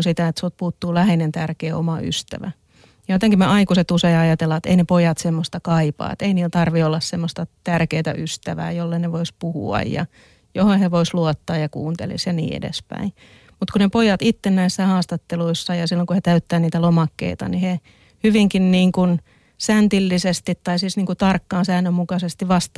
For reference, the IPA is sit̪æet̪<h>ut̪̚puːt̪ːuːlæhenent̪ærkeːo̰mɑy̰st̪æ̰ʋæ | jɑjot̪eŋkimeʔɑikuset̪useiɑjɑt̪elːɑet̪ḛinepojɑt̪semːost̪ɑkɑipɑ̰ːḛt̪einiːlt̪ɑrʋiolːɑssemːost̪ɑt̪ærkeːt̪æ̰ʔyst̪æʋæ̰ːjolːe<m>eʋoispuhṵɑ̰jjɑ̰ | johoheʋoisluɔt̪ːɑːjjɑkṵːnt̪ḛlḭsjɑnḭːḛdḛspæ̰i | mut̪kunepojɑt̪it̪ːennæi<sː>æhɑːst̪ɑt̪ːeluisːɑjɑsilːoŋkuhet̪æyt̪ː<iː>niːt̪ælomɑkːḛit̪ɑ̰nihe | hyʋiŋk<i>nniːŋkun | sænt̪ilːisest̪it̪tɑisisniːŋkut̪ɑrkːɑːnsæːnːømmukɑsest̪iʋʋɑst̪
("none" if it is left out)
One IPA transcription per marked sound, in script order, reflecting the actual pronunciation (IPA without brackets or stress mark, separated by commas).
s, n, sː, æː, i